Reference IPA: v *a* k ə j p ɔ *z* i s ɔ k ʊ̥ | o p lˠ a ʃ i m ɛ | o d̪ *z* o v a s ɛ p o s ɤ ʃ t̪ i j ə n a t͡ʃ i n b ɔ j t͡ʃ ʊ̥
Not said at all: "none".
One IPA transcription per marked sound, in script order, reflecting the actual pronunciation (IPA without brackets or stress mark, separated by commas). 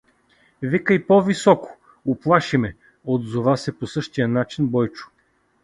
i, v, z